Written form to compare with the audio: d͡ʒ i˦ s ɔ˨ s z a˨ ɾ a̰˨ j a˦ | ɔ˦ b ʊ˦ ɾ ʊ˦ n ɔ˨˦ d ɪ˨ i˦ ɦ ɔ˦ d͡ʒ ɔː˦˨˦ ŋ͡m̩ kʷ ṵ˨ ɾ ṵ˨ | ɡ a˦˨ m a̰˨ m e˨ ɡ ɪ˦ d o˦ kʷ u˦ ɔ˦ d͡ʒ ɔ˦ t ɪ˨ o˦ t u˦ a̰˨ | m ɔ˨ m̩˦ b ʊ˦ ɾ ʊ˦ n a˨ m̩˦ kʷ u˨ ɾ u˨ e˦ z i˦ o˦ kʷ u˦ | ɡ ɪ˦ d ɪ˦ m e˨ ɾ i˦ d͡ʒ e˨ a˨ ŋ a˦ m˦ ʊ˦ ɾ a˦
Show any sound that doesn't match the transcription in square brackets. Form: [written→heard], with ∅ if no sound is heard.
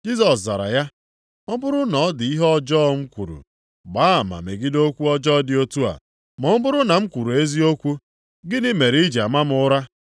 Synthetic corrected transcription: d͡ʒ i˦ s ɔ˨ s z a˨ ɾ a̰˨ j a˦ | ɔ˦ b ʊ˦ ɾ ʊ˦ n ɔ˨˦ d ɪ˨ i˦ ɦ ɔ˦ d͡ʒ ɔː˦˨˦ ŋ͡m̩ kʷ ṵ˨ ɾ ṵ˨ | [ɡ→ɡ͡b] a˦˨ m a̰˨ m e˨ ɡ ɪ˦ d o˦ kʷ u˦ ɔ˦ d͡ʒ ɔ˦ [t→d] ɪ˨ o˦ t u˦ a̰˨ | m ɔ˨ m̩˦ b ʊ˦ ɾ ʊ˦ n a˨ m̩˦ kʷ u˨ ɾ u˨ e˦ z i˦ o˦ kʷ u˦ | ɡ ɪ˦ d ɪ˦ m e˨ ɾ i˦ d͡ʒ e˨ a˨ [ŋ→m] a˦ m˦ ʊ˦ ɾ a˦

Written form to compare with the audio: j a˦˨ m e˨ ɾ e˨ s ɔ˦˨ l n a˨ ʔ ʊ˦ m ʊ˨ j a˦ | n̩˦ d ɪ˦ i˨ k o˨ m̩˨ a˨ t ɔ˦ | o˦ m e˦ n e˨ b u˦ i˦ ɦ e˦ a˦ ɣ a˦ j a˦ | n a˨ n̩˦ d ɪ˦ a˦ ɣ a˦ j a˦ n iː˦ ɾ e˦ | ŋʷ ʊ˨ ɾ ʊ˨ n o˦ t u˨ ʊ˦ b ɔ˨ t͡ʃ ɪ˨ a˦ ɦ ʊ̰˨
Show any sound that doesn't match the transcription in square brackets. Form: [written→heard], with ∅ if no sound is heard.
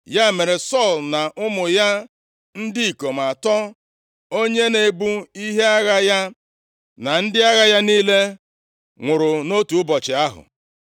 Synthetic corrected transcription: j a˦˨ m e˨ ɾ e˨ s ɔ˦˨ l n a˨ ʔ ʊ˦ m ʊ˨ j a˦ | n̩˦ d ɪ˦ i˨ k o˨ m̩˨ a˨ t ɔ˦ | o˦ [m→ɲ] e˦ n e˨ b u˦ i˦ ɦ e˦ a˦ ɣ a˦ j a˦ | n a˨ n̩˦ d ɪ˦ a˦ ɣ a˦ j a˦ n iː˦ [ɾ→l] e˦ | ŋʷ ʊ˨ ɾ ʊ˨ n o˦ t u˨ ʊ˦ b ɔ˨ t͡ʃ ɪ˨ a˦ ɦ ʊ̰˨

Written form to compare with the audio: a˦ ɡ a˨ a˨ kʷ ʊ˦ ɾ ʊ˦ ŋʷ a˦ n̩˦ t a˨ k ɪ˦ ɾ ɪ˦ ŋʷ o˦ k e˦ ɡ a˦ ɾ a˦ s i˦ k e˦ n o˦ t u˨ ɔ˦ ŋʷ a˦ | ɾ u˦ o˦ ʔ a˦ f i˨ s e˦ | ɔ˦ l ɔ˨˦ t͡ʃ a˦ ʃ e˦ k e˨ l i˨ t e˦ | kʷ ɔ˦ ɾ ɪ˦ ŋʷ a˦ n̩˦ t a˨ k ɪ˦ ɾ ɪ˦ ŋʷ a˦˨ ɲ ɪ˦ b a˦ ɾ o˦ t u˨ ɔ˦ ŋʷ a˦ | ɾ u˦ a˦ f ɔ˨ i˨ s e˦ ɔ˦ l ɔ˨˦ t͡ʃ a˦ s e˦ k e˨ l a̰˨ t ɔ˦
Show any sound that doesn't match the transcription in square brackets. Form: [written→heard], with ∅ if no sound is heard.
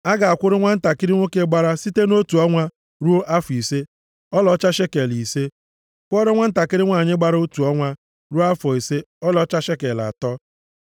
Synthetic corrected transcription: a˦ ɡ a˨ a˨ kʷ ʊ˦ ɾ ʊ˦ ŋʷ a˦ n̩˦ t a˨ k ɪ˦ ɾ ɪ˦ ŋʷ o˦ k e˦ [ɡ→ɡ͡b] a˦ ɾ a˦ s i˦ [k→t] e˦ n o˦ t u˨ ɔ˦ ŋʷ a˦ | ɾ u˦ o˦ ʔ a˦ f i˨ s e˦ | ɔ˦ l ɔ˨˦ t͡ʃ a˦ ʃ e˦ k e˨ l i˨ [t→s] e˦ | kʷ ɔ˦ ɾ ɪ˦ ŋʷ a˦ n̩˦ t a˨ k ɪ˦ ɾ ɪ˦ ŋʷ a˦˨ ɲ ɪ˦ [b→ɡ͡b] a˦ ɾ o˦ t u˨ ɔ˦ ŋʷ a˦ | ɾ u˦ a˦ f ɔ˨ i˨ s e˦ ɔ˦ l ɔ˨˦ t͡ʃ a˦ [s→ʃ] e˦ k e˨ l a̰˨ t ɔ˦

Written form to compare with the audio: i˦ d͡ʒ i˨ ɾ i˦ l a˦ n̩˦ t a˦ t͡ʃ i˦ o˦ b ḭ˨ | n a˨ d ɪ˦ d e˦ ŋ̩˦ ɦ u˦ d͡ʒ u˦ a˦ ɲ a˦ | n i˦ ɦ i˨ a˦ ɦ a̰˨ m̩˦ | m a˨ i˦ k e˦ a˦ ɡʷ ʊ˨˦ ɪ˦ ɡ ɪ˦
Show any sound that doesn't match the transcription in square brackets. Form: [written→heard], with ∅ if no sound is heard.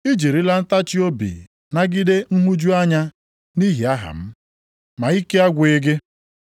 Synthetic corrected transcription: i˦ d͡ʒ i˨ ɾ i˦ l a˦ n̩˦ t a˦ t͡ʃ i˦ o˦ b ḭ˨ | n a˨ [d→ɡ] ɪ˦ d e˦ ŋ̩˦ ɦ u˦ d͡ʒ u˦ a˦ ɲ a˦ | n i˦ ɦ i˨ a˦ ɦ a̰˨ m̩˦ | m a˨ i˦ k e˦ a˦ ɡʷ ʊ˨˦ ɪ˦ ɡ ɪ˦

